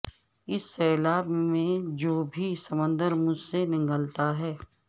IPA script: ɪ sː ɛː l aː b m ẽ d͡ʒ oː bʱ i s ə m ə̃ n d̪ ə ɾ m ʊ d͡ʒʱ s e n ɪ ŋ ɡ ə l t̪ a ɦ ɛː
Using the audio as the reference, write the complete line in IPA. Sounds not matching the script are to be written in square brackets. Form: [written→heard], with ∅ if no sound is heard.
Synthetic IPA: ɪ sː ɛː l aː b m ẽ d͡ʒ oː bʱ i s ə m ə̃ n d̪ ə ɾ m ʊ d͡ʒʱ s e n ɪ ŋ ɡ ə l t̪ a ɦ ɛː